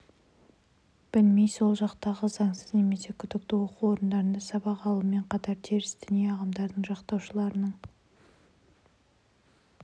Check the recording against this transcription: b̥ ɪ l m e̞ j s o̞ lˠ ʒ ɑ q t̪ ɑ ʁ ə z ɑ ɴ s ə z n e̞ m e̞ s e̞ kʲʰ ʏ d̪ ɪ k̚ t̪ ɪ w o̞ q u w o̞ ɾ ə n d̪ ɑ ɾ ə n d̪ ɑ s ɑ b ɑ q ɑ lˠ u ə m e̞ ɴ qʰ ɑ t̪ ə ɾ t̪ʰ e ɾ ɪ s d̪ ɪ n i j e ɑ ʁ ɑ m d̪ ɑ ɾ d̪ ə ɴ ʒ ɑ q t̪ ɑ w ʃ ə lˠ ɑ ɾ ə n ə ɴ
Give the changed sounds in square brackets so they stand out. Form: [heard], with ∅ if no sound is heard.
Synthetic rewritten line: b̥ ɪ l m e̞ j s o̞ lˠ ʒ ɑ q t̪ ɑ ʁ ə z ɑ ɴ s ə z n e̞ m e̞ s e̞ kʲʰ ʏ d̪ ɪ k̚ t̪ ɪ w o̞ q u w o̞ ɾ ə n d̪ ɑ ɾ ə n d̪ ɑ s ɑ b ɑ q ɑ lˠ u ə m e̞ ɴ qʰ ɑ t̪ [ɑ] ɾ t̪ʰ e ɾ ɪ s d̪ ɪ n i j e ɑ ʁ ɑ m d̪ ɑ ɾ d̪ ə ɴ ʒ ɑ q t̪ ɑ w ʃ ə lˠ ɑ ɾ ə n ə ɴ